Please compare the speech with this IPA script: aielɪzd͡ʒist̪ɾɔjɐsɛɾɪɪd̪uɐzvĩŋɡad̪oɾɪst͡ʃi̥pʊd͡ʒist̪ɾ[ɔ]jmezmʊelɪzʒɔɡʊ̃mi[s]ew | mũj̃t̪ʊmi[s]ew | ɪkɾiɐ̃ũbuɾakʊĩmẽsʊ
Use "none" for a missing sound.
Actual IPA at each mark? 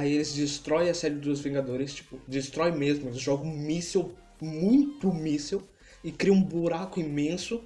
ɔ, s, s

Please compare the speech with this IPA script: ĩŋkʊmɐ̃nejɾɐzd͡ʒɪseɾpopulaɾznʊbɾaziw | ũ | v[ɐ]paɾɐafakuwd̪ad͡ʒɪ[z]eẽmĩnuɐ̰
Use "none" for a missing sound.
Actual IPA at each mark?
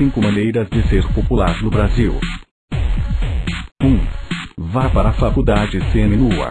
a, s

